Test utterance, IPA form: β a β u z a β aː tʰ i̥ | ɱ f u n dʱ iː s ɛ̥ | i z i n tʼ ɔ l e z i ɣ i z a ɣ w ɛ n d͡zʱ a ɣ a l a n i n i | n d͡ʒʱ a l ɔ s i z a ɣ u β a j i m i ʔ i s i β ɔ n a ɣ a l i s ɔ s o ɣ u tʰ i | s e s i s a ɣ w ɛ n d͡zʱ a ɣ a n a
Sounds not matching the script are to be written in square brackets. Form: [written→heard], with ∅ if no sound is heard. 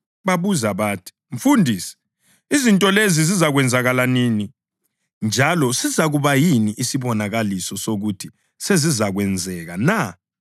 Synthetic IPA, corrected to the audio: β a β u z a β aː tʰ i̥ | ɱ f u n dʱ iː s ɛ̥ | i z i n tʼ ɔ l e z i [ɣ→z] i z a ɣ w ɛ n d͡zʱ a ɣ a l a n i n i | n d͡ʒʱ a l ɔ s i z a ɣ u β a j i [m→n] i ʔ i s i β ɔ n a ɣ a l i s ɔ s o ɣ u tʰ i | s e [s→z] i [s→z] a ɣ w ɛ n d͡zʱ [a→ɛ] ɣ a n a

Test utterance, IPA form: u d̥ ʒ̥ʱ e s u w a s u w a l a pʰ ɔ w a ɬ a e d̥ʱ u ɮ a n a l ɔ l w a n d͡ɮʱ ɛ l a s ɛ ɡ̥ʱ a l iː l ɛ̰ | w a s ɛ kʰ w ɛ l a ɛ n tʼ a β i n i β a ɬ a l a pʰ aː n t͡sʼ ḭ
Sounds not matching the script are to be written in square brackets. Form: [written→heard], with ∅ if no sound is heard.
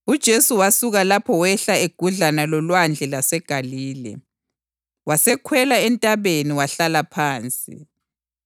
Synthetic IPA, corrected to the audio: u d̥ ʒ̥ʱ e s u w a s u [w→ɣ] a l a pʰ ɔ w [a→ɛ] ɬ a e [d̥ʱ→ɡ̥ʱ] u ɮ a n a l ɔ l w a n d͡ɮʱ ɛ l a s ɛ ɡ̥ʱ a l iː l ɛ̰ | w a s ɛ kʰ w ɛ l a ɛ n tʼ a β [i→e] n i [β→w] a ɬ a l a pʰ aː n t͡sʼ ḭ

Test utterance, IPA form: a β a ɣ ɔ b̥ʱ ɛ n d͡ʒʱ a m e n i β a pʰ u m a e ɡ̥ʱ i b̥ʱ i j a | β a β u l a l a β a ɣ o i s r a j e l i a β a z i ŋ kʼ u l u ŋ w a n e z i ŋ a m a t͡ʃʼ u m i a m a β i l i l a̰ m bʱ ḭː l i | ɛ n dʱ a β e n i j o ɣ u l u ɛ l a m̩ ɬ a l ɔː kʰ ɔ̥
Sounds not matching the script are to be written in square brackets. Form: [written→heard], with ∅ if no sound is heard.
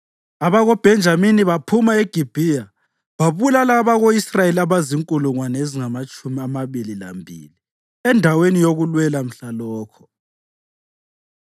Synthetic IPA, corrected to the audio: a β a ɣ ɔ b̥ʱ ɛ n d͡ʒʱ a m [e→i] n i β a pʰ u m a e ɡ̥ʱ i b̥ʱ i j a | β a β u l a l a β a ɣ o i s r a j e l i a β a z i ŋ kʼ u l u ŋ w a n e z i ŋ a m a t͡ʃʼ u m i a m a β i l i l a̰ m bʱ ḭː l i | ɛ n dʱ a [β→w] e n i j o ɣ u l [u→w] ɛ l a m̩ ɬ a l ɔː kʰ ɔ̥

